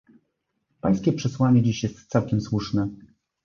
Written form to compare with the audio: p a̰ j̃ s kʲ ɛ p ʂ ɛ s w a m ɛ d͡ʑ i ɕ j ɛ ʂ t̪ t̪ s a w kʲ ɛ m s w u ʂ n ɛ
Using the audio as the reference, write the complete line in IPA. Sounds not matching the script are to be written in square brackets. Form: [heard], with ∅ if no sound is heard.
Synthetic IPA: p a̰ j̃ s kʲ ɛ p ʂ ɛ s w a [ɲ] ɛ d͡ʑ i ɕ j ɛ [s] t̪ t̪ s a w kʲ ɛ m s w u ʂ n ɛ